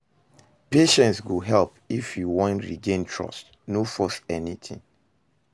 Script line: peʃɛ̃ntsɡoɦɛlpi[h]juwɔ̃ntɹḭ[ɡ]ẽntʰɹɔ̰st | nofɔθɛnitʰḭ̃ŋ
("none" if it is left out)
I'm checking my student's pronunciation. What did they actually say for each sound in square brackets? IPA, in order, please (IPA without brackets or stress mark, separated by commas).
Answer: f, ɡ